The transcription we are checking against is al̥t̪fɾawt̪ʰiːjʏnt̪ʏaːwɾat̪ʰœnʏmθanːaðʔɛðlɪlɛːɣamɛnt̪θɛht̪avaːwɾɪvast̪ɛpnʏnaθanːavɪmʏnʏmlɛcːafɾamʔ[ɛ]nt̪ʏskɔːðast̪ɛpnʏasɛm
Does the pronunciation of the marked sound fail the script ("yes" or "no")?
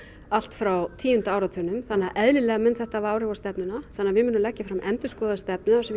no